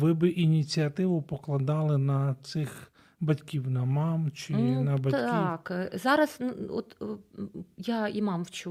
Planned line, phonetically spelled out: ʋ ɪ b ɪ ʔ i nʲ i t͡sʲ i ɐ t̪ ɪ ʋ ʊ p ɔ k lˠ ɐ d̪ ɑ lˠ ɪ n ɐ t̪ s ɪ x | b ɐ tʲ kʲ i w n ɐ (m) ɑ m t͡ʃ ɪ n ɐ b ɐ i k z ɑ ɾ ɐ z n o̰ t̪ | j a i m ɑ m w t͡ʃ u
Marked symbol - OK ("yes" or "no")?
yes